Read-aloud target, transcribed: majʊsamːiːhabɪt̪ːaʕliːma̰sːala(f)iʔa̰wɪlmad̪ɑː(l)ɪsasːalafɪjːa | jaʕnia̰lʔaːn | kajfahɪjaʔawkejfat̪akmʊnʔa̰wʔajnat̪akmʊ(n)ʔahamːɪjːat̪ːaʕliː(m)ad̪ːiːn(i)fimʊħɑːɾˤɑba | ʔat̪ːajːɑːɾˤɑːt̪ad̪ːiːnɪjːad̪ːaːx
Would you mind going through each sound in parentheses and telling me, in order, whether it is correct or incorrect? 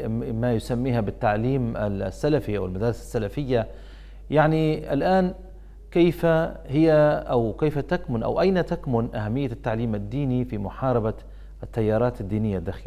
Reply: correct, incorrect: ɾ, correct, correct, correct

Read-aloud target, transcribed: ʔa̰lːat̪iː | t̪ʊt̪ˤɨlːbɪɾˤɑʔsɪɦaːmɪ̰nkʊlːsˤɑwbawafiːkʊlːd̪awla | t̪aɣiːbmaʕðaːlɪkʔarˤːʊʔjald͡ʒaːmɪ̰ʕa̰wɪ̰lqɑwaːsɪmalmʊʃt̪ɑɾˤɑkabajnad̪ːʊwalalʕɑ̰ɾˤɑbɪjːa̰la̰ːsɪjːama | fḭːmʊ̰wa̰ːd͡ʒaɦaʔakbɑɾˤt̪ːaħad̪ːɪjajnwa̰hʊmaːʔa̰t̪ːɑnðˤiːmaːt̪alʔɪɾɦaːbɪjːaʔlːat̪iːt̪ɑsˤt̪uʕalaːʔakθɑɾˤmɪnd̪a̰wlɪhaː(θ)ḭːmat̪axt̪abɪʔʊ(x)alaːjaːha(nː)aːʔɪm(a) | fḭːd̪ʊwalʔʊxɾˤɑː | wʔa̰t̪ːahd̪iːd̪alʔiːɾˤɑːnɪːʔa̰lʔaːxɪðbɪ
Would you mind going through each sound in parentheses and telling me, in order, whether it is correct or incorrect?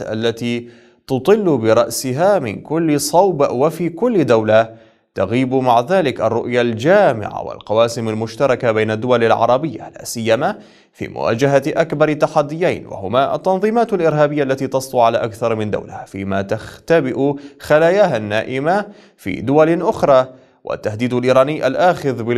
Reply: incorrect: f, correct, correct, correct

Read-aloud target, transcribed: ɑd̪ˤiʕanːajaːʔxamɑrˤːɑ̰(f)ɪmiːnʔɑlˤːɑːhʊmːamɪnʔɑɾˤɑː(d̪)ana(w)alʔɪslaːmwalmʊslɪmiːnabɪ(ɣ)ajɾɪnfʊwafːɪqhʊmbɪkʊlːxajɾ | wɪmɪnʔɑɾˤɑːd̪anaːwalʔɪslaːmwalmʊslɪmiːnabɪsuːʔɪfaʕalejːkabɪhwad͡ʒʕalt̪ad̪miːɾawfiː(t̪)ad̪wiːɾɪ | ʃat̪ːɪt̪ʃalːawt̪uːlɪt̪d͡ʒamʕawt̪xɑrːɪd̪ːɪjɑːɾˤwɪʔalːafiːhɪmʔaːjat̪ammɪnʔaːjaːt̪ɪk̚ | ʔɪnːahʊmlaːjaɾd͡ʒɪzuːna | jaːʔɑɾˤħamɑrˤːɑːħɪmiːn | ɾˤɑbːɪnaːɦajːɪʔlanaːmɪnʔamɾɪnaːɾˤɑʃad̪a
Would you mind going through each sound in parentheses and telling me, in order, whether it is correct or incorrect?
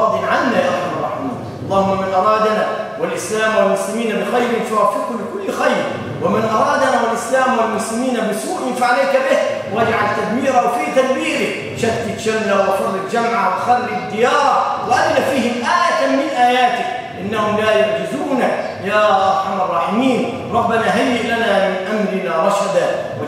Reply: incorrect: ħ, correct, correct, incorrect: x, correct

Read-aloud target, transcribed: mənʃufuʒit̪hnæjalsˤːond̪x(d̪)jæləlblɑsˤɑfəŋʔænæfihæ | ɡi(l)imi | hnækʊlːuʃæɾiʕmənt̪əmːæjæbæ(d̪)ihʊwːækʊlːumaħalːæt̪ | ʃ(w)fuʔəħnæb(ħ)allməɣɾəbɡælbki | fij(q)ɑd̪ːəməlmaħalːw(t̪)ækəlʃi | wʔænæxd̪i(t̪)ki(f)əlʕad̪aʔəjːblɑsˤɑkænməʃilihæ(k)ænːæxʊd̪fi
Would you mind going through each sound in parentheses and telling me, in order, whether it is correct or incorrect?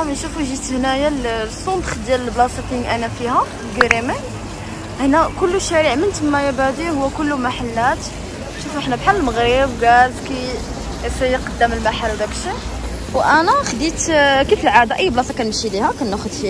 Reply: correct, incorrect: ɾ, correct, incorrect: u, correct, correct, incorrect: d̪, correct, correct, correct

